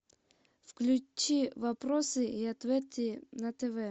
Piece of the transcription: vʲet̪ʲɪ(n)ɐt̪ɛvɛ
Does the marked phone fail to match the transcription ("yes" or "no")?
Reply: no